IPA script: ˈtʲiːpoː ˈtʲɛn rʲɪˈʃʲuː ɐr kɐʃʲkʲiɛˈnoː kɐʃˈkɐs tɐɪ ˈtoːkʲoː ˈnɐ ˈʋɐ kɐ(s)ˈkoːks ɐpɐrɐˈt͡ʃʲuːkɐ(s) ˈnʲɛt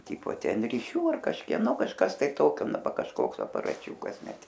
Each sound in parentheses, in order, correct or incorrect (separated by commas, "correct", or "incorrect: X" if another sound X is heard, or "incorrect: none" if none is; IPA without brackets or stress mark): incorrect: ʃ, correct